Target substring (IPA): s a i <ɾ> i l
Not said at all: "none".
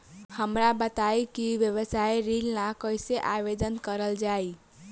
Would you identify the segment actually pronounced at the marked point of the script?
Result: ɾ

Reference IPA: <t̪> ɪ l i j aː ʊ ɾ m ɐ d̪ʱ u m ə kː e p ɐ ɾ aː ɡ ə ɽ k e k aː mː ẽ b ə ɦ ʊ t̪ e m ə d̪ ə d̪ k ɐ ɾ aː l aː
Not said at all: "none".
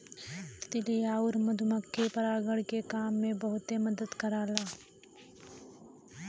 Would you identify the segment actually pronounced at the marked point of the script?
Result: t̪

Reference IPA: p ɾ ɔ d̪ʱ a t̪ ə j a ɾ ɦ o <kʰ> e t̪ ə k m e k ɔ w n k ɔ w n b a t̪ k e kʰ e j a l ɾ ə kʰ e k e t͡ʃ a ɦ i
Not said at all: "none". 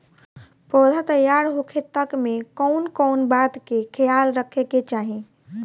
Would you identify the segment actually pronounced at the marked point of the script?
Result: kʰ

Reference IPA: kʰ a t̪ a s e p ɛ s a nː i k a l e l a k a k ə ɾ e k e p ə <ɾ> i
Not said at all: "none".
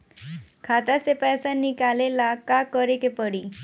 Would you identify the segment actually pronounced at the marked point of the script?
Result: ɽ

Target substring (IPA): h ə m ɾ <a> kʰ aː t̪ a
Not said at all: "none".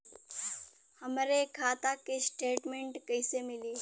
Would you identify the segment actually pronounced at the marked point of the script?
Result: e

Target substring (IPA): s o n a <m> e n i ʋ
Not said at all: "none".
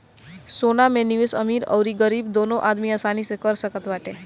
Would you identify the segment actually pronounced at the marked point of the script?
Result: m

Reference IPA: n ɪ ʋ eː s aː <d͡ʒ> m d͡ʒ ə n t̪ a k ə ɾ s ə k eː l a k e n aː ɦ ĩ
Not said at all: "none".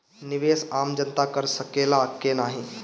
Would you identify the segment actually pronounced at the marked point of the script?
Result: none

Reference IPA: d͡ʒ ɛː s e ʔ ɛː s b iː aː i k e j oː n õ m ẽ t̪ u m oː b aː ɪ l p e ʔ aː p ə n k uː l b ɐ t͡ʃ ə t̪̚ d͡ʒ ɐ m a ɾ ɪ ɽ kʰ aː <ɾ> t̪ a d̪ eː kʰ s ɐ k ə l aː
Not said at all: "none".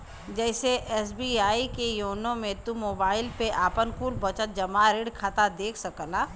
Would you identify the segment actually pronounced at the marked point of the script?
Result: none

